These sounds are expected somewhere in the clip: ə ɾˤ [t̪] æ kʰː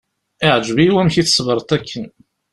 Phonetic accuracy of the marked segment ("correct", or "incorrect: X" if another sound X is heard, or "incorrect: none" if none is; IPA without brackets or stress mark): correct